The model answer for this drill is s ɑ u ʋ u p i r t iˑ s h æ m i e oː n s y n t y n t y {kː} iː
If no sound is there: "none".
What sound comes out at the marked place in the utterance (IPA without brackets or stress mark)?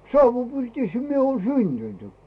kː